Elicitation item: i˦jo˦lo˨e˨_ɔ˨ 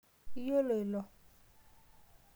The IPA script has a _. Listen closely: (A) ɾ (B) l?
B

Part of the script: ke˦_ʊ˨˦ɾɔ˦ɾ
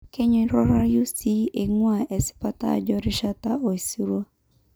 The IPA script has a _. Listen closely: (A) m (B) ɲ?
B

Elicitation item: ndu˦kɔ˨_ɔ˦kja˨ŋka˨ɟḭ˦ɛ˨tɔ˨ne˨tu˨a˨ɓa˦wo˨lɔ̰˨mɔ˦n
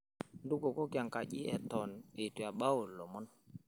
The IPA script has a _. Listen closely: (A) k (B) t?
A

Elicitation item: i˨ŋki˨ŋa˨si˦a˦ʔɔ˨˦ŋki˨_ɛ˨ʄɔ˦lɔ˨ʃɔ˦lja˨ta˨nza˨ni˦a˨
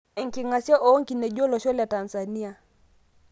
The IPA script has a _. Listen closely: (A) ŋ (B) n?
B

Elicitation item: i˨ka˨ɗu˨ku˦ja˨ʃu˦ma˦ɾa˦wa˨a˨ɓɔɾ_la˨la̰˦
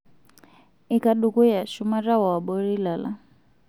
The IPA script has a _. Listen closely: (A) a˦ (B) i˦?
B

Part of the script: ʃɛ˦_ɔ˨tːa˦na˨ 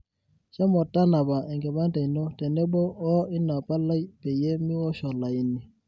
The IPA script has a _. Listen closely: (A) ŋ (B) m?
B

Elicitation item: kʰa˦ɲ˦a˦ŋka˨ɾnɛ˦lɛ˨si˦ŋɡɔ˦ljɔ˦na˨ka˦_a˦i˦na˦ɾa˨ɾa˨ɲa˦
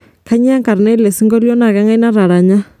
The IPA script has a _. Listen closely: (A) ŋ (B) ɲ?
A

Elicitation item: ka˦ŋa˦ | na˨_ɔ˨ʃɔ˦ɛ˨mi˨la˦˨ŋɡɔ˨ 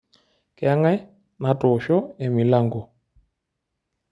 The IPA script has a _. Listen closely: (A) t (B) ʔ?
A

